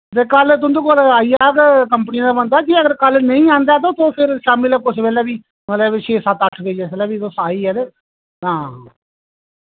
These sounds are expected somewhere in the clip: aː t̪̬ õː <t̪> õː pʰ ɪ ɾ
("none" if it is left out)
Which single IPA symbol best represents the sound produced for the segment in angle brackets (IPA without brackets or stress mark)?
t̪